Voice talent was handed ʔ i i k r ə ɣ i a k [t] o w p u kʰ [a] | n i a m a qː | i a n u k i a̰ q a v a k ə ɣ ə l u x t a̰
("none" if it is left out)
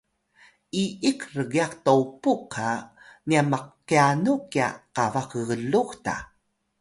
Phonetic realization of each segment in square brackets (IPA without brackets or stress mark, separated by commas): t, a